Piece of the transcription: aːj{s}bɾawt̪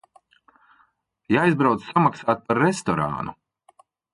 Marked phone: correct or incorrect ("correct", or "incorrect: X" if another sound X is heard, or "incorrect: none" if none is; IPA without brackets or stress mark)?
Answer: incorrect: z